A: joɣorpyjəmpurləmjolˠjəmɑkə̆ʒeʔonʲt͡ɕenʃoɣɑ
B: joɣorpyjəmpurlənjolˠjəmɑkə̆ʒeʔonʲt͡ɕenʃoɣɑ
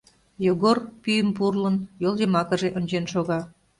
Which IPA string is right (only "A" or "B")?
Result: B